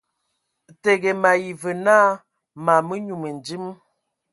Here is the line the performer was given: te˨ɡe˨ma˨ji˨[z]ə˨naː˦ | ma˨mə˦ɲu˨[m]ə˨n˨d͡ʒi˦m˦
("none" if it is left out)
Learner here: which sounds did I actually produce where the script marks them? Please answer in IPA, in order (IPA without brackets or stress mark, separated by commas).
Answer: v, m